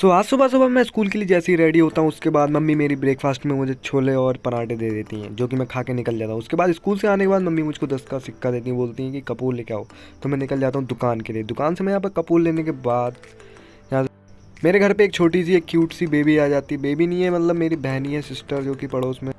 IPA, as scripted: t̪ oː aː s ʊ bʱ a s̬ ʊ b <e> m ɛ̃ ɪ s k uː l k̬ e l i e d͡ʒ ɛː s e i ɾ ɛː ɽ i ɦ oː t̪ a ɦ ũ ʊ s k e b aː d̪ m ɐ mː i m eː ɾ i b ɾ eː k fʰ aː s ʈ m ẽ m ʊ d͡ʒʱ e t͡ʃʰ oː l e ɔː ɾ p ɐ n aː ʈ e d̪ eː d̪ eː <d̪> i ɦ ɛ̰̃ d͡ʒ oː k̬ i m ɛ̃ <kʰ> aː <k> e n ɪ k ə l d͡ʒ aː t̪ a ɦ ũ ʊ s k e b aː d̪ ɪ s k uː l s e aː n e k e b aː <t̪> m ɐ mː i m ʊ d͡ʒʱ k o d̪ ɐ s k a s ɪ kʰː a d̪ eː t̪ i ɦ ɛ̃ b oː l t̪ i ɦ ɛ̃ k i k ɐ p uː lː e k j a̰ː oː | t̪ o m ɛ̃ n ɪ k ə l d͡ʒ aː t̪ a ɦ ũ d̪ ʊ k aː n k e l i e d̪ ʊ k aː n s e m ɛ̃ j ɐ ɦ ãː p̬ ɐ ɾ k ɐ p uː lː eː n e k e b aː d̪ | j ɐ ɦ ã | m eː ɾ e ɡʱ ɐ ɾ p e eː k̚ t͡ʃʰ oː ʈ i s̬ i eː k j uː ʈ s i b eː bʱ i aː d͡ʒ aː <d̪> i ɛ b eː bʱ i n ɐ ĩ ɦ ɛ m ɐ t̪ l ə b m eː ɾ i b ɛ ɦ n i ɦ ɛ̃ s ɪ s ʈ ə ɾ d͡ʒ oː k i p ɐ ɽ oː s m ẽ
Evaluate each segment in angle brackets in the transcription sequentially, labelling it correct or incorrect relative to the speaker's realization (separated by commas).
incorrect, incorrect, correct, correct, incorrect, incorrect